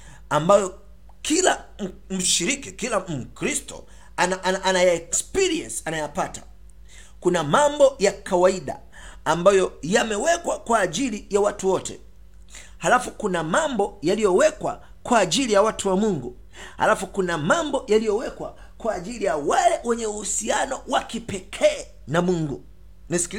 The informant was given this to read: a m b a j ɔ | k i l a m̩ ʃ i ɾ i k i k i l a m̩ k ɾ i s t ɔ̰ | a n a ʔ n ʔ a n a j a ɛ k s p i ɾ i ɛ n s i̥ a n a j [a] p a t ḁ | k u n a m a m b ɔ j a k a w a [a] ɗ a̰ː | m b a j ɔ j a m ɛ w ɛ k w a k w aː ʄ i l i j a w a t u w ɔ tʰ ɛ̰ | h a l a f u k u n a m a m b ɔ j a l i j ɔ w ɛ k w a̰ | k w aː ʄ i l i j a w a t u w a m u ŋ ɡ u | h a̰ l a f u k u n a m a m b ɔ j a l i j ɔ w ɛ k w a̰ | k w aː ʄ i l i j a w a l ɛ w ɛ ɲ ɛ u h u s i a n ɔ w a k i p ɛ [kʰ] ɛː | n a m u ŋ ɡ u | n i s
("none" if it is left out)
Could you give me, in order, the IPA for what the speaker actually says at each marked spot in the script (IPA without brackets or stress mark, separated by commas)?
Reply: a, i, kʰ